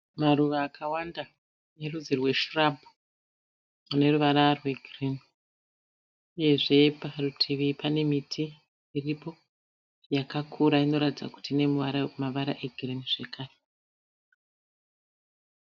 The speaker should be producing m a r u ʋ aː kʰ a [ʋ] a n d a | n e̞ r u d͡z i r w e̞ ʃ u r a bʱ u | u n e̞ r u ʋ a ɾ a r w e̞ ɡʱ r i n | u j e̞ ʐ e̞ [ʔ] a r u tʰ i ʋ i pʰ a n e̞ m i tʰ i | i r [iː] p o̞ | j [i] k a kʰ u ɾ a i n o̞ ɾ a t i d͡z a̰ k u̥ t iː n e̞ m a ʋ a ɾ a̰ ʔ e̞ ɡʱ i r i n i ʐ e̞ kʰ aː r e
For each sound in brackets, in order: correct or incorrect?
incorrect: w, incorrect: p, incorrect: i, incorrect: a

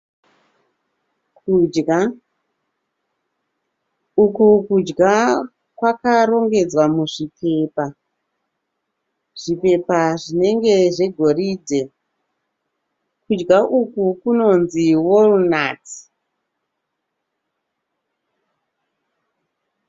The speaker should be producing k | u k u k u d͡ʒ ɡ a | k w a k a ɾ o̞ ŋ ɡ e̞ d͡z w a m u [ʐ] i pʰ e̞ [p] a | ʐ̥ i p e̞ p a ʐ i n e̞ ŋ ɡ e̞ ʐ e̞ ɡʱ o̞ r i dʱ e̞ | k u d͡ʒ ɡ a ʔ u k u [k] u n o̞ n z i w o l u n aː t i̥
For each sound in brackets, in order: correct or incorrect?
correct, correct, correct

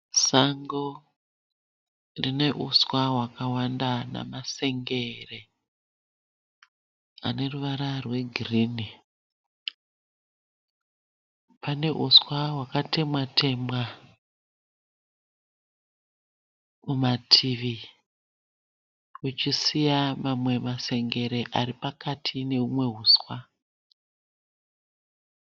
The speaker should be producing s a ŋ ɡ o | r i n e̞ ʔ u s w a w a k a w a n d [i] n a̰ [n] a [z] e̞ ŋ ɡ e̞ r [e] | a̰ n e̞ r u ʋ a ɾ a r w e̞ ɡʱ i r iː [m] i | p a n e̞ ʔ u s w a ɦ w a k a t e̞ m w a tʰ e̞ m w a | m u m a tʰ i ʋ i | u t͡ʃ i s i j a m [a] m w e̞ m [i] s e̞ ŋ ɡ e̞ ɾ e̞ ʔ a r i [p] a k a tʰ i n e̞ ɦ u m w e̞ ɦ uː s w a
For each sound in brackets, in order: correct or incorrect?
incorrect: a, incorrect: m, incorrect: s, correct, incorrect: n, correct, incorrect: a, correct

